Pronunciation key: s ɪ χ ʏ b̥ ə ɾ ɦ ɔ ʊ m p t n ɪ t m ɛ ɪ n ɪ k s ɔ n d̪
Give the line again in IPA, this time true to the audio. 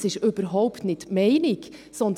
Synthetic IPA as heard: s ɪ ʃ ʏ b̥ ə ɾ ɦ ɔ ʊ p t n ɪ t m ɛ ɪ n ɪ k s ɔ n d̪